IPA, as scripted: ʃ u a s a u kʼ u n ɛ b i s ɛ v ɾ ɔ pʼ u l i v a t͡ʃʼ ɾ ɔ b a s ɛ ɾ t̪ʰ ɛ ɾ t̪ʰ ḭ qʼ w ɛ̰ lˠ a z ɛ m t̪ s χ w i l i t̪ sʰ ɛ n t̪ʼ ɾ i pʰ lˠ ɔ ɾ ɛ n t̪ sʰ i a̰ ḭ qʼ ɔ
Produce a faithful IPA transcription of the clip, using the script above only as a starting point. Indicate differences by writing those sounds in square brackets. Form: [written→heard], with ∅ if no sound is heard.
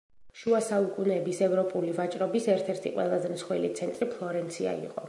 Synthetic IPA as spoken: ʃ u a s a u kʼ u n ɛ b i s ɛ v ɾ ɔ pʼ u l i v a t͡ʃʼ ɾ ɔ b [a→i] s ɛ ɾ t̪ʰ ɛ ɾ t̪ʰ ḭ qʼ w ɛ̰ lˠ a z ɛ m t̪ s χ w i l i t̪ sʰ ɛ n t̪ʼ ɾ i pʰ lˠ ɔ ɾ ɛ n t̪ sʰ i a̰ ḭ qʼ ɔ